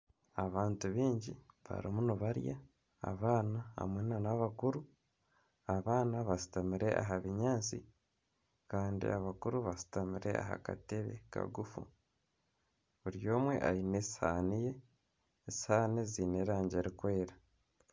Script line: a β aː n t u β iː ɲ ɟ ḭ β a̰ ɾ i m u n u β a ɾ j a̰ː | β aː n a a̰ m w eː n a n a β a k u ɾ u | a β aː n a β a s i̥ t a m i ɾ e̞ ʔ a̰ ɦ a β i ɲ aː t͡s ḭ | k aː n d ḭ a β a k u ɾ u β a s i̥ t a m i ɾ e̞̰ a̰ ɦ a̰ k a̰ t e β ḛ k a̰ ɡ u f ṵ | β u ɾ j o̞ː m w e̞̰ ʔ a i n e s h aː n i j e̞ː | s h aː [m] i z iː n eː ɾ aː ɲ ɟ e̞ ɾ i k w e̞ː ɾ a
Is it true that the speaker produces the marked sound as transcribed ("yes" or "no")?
no